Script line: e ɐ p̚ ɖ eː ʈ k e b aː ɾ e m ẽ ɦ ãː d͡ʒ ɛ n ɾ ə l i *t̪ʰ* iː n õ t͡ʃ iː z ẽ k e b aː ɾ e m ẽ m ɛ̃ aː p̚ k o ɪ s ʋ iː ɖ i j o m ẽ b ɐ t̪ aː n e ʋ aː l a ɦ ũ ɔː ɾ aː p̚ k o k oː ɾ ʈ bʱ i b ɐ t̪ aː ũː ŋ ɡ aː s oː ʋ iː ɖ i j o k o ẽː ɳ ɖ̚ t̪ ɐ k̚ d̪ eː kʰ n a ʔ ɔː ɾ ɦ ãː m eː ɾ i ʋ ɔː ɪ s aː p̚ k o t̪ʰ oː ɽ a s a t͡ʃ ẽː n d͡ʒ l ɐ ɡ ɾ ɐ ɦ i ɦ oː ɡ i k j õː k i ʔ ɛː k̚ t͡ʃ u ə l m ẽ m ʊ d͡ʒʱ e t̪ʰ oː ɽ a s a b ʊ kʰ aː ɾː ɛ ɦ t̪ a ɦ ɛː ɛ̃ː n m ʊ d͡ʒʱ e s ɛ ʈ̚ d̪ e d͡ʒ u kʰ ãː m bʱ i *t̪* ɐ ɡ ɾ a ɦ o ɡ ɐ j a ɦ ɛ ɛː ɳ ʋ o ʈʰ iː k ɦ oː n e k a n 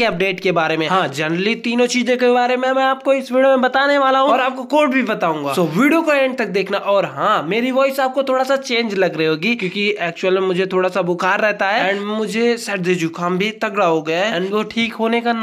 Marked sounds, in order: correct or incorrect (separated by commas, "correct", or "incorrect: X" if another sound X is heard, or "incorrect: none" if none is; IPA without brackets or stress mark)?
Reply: incorrect: t̪, correct